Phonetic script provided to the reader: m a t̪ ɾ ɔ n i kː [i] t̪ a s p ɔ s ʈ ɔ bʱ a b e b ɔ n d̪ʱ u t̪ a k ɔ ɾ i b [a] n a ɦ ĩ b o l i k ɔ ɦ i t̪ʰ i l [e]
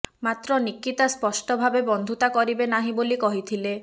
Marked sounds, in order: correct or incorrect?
correct, incorrect: e, correct

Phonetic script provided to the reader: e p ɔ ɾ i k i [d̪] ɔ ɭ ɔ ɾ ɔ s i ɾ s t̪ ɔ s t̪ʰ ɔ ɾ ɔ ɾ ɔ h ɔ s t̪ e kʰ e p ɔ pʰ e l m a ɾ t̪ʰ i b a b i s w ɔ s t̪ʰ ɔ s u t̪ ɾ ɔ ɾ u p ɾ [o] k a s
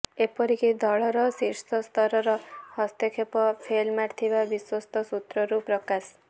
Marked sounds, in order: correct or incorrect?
correct, incorrect: ɔ

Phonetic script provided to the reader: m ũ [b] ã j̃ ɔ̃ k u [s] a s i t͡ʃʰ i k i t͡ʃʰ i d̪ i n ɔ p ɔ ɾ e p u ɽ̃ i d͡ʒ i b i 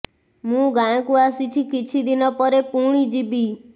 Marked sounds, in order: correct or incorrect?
incorrect: ɡ, incorrect: none

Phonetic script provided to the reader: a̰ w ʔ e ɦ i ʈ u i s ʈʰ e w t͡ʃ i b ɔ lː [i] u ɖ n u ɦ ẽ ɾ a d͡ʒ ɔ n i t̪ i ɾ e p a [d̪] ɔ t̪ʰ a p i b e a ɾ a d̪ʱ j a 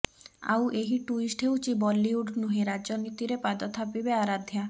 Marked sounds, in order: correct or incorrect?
correct, correct

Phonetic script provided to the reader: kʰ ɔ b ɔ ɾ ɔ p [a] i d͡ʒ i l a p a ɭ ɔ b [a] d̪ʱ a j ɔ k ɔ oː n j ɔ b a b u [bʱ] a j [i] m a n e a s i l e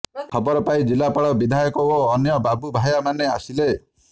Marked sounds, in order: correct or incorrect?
correct, incorrect: i, correct, incorrect: a

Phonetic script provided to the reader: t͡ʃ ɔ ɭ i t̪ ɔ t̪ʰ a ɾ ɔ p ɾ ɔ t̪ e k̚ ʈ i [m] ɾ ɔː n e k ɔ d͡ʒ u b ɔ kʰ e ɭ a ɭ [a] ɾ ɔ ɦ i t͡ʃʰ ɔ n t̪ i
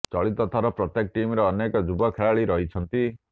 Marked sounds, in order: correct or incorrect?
correct, incorrect: i

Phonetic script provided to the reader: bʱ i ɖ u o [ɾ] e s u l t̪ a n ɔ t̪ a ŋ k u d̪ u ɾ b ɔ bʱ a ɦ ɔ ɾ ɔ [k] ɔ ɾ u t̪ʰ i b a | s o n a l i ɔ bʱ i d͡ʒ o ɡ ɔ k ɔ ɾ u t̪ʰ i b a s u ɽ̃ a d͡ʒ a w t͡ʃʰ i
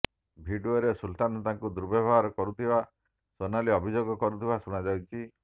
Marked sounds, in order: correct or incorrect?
correct, correct

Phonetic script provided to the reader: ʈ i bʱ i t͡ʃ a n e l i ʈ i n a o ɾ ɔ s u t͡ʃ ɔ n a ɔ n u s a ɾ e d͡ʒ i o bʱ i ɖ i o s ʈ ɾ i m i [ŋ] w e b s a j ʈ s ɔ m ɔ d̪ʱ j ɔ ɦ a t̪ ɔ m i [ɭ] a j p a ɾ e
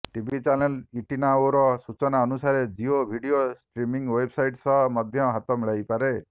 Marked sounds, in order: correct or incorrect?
correct, correct

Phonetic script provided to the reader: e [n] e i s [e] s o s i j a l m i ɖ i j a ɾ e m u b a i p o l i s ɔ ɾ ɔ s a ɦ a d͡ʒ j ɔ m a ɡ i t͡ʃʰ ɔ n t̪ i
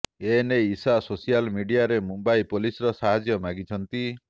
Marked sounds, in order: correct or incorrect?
correct, incorrect: a

